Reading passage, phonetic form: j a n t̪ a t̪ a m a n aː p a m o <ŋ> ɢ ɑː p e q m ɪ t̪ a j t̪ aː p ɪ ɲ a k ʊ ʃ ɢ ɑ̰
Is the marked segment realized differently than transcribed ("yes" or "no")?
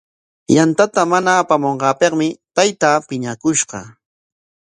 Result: yes